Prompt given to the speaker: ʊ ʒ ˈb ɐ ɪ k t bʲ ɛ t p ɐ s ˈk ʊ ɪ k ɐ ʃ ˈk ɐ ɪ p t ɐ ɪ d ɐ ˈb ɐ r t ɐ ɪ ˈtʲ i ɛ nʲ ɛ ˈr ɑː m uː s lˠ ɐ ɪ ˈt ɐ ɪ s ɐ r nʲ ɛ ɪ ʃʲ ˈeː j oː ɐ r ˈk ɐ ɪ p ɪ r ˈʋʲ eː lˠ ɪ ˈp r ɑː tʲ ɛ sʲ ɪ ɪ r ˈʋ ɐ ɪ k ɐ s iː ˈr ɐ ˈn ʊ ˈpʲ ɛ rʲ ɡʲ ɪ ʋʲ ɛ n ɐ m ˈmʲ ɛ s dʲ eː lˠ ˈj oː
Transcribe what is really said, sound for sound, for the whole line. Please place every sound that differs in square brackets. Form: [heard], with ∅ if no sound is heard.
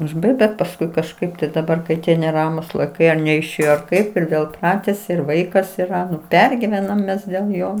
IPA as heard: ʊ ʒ ˈb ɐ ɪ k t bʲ ɛ t p ɐ s ˈk ʊ ɪ k ɐ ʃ ˈk ɐ ɪ p t ɐ ɪ d ɐ ˈb ɐ r [k] ɐ ɪ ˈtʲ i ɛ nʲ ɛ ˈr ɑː m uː s lˠ ɐ ɪ [ˈk] ɐ ɪ [∅] ɐ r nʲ ɛ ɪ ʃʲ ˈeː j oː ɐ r ˈk ɐ ɪ p ɪ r ˈʋʲ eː lˠ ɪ ˈp r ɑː tʲ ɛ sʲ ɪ ɪ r ˈʋ ɐ ɪ k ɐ s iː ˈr ɐ ˈn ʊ ˈpʲ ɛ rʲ ɡʲ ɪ ʋʲ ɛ n ɐ m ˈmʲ ɛ s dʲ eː lˠ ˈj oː